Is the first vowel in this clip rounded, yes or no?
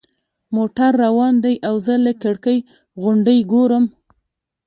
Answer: yes